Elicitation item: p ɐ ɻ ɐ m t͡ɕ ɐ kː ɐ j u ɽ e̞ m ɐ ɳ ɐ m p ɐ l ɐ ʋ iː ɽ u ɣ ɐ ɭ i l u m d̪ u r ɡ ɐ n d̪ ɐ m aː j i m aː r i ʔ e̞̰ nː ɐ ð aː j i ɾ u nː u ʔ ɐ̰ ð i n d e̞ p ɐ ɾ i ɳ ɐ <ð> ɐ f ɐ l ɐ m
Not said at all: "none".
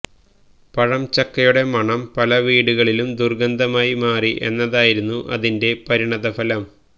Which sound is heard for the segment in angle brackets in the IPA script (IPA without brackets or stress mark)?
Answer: ð